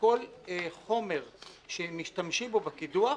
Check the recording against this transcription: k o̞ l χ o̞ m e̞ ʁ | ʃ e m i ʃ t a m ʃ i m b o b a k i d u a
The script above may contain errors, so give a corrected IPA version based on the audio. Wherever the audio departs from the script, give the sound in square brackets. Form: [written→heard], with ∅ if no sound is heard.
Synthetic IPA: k o̞ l χ o̞ m e̞ ʁ | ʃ e m i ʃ t a m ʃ i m b o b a k i d u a